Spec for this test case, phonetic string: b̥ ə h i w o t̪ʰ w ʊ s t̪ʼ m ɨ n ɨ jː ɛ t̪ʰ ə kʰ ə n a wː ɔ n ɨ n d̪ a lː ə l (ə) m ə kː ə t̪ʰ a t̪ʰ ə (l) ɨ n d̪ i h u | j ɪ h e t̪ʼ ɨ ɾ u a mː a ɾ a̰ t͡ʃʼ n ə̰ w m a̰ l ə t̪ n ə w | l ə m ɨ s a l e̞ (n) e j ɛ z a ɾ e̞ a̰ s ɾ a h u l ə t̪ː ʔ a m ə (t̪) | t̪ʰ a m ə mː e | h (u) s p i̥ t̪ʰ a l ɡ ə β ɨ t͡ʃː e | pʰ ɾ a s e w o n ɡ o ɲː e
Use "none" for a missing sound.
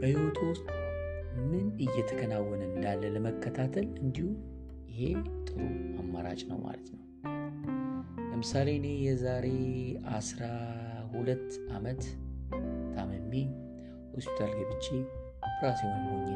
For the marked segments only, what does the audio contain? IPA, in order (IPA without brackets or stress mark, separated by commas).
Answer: ə, l, n, t̪, o